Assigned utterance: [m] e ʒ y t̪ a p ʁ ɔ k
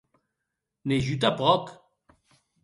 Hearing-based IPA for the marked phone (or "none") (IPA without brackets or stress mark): n